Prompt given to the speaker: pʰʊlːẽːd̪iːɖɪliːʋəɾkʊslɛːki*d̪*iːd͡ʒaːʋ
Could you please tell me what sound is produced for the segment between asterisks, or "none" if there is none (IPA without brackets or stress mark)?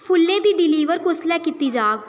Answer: t̪